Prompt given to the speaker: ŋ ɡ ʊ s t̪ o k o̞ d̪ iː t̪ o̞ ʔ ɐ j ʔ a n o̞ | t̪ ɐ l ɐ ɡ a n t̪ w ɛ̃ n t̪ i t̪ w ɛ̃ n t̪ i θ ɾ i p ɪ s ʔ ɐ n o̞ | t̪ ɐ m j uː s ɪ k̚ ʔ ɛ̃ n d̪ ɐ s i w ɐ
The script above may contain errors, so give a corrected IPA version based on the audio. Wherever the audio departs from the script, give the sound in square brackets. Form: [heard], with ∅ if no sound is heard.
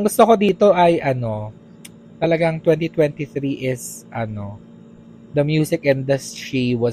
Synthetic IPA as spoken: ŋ ɡ ʊ s t̪ o k o̞ d̪ iː t̪ o̞ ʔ ɐ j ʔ [ɐ] n o̞ | t̪ ɐ l ɐ ɡ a [ŋ] t̪ w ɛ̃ n t̪ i t̪ w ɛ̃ n t̪ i θ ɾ i [ʔ] ɪ s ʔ ɐ n o̞ | [d̪] ɐ m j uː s ɪ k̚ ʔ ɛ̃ n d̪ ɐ s i w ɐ